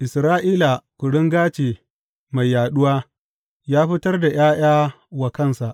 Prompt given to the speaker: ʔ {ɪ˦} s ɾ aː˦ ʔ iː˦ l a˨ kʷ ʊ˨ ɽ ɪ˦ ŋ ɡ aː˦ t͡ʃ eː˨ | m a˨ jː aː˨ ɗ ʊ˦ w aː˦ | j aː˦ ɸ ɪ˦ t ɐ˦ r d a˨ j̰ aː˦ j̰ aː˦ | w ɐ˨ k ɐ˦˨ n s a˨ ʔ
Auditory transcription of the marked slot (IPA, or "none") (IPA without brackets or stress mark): ɪ˨